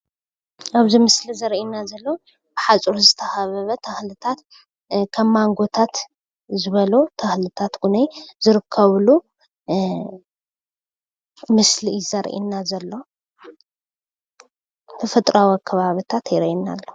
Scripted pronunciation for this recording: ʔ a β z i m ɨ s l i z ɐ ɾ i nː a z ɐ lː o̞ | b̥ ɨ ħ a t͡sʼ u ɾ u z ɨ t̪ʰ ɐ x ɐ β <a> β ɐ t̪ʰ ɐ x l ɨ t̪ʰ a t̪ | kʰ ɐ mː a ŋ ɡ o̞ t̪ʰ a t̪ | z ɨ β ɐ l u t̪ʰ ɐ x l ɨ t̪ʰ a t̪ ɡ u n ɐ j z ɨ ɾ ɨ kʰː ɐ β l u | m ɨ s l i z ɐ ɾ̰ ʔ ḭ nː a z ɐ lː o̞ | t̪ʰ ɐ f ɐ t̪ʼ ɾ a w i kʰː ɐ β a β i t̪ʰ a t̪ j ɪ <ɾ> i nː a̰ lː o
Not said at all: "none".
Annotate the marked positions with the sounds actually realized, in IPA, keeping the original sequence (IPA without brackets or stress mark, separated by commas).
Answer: ɐ, ɾ